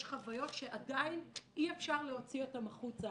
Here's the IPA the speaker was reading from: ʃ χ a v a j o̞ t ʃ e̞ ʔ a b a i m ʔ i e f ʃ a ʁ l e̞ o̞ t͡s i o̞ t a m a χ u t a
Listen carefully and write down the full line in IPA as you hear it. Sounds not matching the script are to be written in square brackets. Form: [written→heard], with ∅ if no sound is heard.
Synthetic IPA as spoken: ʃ χ a v a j o̞ t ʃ e̞ ʔ a [b→d] a i [m→n] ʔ i e f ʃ a ʁ l e̞ o̞ t͡s i o̞ t a m a χ u [t→t͡s] a